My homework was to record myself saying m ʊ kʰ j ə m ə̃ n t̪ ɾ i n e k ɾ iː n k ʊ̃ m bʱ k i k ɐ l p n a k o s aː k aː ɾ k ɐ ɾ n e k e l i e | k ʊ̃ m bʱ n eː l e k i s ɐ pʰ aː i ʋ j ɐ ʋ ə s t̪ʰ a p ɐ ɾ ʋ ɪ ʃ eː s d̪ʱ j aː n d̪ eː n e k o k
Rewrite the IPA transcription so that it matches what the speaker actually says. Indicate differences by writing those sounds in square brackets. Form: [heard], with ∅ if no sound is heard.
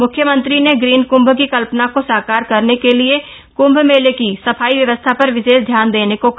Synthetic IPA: m ʊ kʰ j ə m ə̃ n t̪ ɾ i n e [ɡ] ɾ iː n k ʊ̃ m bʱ k i k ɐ l p n a k o s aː k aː ɾ k ɐ ɾ n e k e l i e | k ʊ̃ m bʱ [m] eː l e k i s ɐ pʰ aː i ʋ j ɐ ʋ ə s t̪ʰ a p ɐ ɾ ʋ ɪ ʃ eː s d̪ʱ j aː n d̪ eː n e k o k